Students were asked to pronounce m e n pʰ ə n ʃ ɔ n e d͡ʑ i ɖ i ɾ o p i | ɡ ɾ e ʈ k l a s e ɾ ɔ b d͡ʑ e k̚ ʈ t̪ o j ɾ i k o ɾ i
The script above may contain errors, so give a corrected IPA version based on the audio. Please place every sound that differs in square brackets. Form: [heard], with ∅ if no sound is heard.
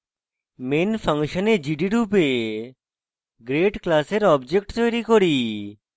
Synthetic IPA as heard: m e n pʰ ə [ŋ] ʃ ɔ n e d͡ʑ i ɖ i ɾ [u] p [e] | ɡ ɾ e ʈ k l a s e ɾ ɔ b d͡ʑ e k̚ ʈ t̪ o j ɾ i k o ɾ i

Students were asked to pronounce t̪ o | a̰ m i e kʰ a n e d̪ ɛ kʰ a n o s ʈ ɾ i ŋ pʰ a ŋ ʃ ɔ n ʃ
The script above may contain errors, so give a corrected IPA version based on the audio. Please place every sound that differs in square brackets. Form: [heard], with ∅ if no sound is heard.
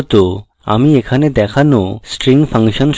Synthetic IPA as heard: t̪ o | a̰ m i e kʰ a n e d̪ ɛ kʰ a n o s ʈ ɾ i ŋ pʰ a ŋ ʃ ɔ n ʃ

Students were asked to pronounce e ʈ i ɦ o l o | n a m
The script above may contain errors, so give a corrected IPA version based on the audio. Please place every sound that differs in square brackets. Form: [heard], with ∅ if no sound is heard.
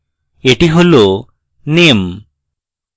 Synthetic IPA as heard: e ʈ i ɦ o l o | n [e] m

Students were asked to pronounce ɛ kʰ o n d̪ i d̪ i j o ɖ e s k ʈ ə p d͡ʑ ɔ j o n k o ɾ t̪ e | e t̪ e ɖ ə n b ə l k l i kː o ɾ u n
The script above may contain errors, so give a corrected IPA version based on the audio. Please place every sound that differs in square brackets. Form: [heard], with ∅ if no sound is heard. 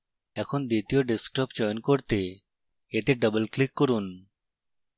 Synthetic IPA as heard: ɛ kʰ o n d̪ i [t̪] i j o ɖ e s k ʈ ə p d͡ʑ ɔ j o n k o ɾ t̪ e | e t̪ e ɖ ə [∅] b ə l k l i kː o ɾ u n

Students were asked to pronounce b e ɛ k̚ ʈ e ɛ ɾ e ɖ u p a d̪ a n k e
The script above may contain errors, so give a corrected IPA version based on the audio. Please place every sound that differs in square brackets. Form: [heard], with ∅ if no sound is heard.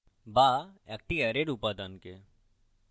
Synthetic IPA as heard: b [a] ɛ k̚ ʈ [i] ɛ ɾ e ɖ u p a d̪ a n k e

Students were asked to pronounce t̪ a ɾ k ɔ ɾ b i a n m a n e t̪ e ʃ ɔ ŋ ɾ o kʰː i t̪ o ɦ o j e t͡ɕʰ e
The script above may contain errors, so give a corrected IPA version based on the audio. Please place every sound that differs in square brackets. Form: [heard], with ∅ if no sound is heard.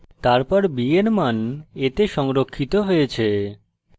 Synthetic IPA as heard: t̪ a ɾ [p] ɔ ɾ b i [e] n m a n e t̪ e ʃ ɔ ŋ ɾ o kʰː i t̪ o ɦ o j e t͡ɕʰ e

